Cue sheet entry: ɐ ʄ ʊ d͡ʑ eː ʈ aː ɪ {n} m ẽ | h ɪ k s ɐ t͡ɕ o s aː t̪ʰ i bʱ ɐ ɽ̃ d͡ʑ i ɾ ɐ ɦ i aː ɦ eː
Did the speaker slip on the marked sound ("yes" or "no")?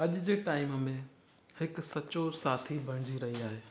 yes